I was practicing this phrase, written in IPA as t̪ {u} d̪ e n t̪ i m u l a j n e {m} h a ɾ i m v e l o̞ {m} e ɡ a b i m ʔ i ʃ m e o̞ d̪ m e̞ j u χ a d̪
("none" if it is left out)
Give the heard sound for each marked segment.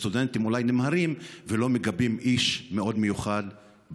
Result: u, m, m

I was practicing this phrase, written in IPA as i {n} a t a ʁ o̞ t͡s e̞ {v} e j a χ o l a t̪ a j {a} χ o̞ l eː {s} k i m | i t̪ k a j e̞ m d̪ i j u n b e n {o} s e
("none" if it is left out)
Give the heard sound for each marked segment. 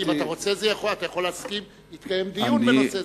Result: m, z, a, s, o

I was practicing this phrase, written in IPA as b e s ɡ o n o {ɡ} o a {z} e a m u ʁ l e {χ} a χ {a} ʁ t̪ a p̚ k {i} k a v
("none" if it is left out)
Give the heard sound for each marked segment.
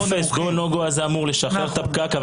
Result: ɡ, z, ʃ, e, a

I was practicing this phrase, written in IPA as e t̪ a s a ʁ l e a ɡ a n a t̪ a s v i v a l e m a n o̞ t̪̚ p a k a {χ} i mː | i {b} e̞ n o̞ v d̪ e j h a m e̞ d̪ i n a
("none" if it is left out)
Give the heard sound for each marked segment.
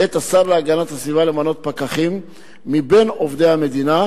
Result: χ, b

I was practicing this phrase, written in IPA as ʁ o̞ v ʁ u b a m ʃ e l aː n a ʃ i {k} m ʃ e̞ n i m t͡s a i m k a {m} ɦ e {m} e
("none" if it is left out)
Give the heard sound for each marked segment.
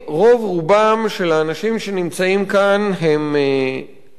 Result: none, n, m

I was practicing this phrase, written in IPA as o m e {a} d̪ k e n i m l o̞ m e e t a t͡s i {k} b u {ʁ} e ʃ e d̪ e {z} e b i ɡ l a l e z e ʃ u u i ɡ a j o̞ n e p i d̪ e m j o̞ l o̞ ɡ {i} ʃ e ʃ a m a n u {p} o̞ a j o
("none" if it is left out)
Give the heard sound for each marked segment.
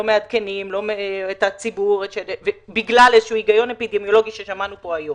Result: a, none, ʁ, v, i, p

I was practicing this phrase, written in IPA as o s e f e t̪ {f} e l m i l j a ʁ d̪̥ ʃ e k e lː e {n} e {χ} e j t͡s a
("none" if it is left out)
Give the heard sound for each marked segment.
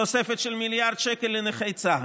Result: ʃ, n, χ

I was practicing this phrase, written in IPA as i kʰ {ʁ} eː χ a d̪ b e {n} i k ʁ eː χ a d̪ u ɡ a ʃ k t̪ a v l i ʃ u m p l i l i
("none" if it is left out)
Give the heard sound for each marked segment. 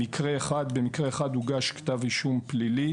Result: ʁ, m

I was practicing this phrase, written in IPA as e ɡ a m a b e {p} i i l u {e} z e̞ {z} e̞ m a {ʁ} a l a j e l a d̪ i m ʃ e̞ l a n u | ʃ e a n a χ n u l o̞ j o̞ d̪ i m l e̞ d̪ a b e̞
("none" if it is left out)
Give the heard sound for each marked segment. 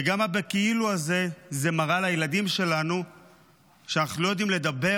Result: k, a, z, ʁ

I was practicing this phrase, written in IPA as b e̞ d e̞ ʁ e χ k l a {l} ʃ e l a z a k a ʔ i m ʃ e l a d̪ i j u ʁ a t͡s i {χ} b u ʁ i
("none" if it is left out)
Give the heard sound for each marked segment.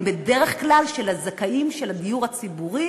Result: l, none

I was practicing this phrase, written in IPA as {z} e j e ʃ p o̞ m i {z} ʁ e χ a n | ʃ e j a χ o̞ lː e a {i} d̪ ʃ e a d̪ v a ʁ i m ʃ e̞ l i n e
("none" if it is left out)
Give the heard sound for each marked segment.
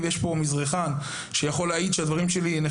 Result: v, z, i

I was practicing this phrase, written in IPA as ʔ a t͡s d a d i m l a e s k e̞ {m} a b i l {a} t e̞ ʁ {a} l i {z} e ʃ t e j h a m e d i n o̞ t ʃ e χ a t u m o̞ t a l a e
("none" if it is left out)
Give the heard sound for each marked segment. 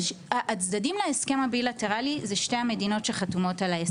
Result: m, a, a, z

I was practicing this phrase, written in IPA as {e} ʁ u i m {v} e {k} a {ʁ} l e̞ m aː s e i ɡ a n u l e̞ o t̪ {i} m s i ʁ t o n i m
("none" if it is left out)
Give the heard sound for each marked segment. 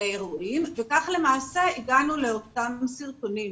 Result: e, v, k, χ, a

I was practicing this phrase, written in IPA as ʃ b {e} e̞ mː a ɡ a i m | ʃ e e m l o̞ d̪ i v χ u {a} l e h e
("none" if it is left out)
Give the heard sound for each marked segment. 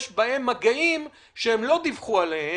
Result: a, a

